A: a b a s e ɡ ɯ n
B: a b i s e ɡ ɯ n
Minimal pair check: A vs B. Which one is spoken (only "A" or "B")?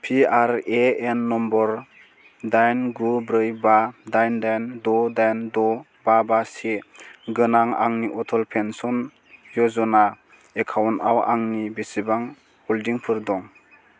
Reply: A